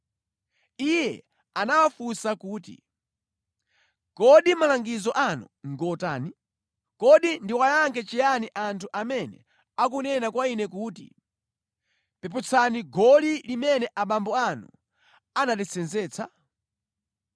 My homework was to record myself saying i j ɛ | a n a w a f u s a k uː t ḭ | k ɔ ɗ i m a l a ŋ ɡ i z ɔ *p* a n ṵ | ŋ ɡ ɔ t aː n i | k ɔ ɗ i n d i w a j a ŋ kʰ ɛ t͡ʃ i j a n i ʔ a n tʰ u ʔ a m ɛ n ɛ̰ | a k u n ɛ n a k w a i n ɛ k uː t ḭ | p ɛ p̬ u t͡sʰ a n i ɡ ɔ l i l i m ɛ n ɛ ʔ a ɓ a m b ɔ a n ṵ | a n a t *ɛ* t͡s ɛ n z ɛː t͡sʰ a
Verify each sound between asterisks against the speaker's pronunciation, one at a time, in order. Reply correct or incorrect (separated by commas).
incorrect, correct